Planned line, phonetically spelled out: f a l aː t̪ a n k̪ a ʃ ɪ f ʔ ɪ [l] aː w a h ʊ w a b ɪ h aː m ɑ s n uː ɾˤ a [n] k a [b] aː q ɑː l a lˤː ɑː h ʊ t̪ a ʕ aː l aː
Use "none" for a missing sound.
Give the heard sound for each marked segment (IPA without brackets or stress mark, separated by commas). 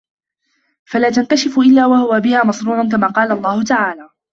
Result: lː, n, m